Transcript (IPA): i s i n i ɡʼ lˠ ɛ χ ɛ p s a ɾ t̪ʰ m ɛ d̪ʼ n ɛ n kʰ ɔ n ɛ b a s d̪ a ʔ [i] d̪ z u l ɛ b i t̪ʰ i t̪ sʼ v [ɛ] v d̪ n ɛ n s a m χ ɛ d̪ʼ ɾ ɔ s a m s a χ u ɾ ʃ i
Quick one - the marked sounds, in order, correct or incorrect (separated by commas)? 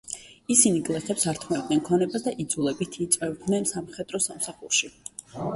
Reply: correct, correct